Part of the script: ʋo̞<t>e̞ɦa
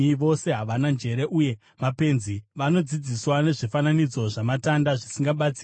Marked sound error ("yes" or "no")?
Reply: yes